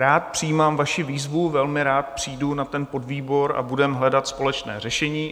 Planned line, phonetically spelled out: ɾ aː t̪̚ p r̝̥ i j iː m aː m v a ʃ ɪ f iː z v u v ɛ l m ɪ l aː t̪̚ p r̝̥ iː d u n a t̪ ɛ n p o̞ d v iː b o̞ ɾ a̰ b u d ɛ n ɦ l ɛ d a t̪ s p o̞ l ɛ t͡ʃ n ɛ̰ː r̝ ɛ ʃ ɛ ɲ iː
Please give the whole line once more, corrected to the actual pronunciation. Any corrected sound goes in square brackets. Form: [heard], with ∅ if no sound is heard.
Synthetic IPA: ɾ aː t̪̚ p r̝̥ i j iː m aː m v a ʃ ɪ [v] iː z v u v ɛ l m ɪ [ɾ] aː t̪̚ p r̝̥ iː d u n a t̪ ɛ n p o̞ d v iː b o̞ ɾ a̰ b u d ɛ [m] ɦ l ɛ d a t̪ s p o̞ l ɛ t͡ʃ n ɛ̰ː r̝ ɛ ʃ ɛ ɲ iː